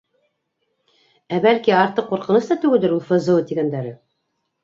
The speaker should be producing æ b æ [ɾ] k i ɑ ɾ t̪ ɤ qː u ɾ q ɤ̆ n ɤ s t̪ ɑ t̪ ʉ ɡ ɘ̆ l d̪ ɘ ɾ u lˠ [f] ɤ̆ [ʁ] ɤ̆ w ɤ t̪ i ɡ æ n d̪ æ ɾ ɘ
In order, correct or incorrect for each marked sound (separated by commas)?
incorrect, correct, incorrect